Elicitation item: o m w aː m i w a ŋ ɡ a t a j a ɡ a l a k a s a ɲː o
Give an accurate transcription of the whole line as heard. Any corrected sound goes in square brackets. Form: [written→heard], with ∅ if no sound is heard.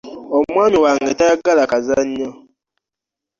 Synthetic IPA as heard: o m w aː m i w a ŋ ɡ [a→e] t a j a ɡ a l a k a [s→z] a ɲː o